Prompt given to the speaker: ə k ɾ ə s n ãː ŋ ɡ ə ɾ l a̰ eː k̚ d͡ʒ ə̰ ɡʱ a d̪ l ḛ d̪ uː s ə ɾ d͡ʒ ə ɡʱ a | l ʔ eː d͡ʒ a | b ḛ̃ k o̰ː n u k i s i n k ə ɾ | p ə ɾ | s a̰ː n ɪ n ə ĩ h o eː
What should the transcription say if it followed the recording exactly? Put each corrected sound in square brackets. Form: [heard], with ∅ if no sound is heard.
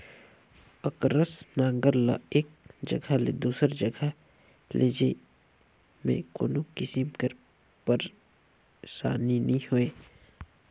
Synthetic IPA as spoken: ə k ɾ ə s n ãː ŋ ɡ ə ɾ l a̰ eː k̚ d͡ʒ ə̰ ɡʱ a [∅] l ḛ d̪ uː s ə ɾ d͡ʒ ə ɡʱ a | l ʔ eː d͡ʒ [e] | [m] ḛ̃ k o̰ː n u k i s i [m] k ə ɾ | p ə ɾ | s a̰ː n [i] n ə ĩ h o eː